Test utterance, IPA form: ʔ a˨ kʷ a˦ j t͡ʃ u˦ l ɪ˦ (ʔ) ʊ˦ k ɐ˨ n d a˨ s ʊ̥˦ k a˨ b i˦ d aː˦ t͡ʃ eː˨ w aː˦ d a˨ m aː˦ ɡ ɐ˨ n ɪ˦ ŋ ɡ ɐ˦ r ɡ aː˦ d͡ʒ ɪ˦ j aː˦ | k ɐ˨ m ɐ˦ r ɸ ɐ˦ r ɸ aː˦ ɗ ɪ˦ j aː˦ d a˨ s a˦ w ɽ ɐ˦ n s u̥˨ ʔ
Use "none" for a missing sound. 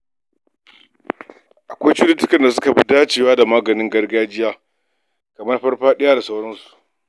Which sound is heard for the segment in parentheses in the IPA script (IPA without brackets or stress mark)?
t